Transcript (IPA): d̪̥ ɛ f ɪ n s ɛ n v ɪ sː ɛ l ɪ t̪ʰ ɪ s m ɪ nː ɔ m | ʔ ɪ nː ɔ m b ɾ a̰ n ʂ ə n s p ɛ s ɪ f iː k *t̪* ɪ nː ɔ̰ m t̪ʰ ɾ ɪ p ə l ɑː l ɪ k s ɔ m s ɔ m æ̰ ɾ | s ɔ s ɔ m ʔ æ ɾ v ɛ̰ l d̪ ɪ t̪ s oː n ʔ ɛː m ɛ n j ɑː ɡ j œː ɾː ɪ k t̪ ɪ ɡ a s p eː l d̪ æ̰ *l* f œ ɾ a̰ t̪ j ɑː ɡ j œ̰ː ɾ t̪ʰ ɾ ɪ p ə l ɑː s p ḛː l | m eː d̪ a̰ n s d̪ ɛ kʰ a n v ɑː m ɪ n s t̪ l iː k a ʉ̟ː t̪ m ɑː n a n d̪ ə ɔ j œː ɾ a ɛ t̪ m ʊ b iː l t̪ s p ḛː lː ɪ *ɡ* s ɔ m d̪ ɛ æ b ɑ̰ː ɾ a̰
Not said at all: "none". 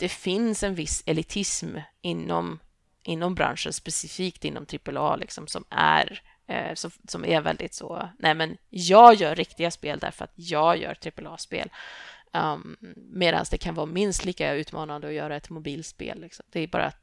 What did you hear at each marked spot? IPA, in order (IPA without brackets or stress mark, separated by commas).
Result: t̪, ɾ, k